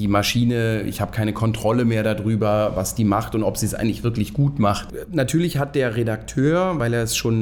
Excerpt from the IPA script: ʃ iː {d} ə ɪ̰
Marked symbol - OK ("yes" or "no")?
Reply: no